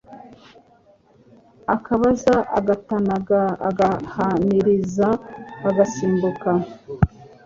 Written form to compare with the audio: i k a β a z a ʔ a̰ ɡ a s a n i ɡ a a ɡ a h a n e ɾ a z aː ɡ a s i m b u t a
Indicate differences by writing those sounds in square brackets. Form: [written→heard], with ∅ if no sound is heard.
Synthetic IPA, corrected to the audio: [i→a] k a β a z a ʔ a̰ ɡ a [s→t] a n [i→a] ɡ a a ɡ a h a n [e→i] ɾ [a→i] z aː ɡ a s [i→iː] m b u [t→k] a